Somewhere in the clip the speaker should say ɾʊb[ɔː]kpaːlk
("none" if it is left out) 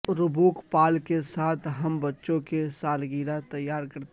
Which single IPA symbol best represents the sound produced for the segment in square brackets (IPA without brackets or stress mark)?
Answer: uː